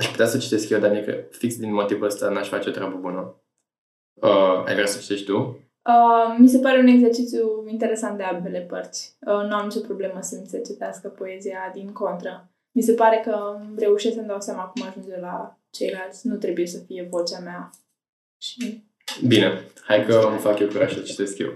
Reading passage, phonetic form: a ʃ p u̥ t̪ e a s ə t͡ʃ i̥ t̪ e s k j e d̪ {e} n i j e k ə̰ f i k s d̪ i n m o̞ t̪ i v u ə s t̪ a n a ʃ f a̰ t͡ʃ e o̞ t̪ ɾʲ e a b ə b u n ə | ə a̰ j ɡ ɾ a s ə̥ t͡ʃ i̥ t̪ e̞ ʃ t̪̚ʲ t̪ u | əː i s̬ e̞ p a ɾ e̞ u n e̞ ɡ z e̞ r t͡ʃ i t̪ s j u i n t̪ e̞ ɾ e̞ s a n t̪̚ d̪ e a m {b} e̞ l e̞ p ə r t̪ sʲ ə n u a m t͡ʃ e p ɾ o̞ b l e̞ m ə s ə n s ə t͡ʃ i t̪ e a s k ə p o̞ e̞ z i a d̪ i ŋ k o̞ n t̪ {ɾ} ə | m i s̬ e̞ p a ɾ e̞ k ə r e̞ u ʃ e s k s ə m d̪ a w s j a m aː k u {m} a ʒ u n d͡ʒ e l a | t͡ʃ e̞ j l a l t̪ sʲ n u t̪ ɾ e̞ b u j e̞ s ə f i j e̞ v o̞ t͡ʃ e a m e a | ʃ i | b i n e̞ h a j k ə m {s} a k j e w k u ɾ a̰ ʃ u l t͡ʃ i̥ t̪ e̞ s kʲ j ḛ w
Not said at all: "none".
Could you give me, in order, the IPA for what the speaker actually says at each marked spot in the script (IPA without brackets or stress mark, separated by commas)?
a, b, ɾ, m, f